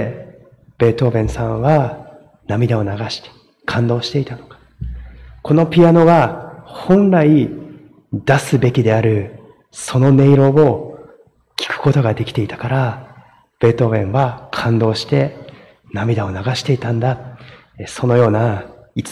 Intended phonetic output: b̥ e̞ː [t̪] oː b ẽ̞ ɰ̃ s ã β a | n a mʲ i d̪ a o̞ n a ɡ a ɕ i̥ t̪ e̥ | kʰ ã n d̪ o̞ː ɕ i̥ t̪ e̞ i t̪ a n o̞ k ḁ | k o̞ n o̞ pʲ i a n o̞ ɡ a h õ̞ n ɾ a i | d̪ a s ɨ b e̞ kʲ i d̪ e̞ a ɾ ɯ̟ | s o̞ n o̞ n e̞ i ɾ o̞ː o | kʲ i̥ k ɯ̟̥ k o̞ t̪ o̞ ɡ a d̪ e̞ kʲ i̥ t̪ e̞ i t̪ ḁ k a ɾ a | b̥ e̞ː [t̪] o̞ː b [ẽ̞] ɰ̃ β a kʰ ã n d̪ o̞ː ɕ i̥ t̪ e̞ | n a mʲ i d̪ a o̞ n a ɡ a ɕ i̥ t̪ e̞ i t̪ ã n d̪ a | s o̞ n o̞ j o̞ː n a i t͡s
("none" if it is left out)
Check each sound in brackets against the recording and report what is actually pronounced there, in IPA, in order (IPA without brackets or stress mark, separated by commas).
t̪, t̪, ẽ̞